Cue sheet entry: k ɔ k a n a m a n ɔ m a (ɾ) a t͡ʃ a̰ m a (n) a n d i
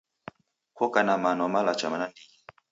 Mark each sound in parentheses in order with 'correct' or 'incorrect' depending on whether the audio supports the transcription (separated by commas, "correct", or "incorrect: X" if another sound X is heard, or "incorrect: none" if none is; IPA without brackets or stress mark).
incorrect: l, correct